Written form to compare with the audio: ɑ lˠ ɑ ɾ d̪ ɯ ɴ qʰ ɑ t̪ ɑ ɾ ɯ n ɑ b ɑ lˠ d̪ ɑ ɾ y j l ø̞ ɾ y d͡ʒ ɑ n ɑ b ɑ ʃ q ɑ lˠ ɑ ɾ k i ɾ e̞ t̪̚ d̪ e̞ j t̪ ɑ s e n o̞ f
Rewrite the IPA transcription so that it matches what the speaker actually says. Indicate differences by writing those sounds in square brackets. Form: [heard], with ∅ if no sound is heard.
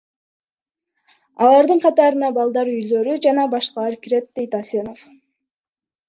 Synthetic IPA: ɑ lˠ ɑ ɾ d̪ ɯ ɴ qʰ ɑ t̪ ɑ ɾ ɯ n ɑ b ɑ lˠ d̪ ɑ ɾ y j l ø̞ ɾ y d͡ʒ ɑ n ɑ b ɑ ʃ q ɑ lˠ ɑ ɾ k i ɾ e̞ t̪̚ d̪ e̞ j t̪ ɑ s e n o̞ f